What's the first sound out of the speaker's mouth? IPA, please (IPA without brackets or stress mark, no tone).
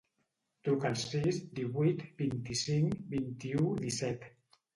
t̪